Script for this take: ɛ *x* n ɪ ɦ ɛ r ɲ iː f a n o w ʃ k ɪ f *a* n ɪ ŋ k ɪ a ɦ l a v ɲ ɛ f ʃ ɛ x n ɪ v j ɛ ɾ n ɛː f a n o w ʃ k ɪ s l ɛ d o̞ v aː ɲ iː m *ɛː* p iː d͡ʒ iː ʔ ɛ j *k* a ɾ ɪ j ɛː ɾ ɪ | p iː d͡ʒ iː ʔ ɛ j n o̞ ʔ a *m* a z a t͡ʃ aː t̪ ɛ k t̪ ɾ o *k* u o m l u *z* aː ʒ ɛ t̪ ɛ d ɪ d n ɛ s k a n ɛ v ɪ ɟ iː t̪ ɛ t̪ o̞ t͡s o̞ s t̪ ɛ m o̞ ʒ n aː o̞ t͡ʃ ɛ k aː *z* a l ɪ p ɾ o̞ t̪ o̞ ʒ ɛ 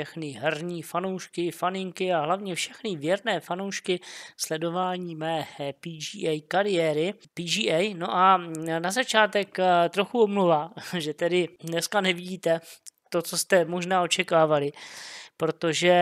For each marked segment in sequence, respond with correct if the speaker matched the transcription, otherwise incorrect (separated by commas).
correct, correct, correct, correct, incorrect, incorrect, incorrect, incorrect